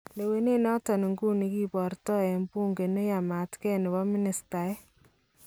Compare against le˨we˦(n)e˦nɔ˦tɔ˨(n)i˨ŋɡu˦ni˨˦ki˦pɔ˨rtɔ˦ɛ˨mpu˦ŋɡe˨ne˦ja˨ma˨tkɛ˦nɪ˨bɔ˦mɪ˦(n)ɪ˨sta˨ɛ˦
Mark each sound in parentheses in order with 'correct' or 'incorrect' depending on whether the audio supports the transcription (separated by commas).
correct, correct, correct